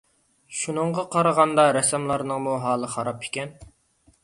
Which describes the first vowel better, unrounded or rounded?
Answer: rounded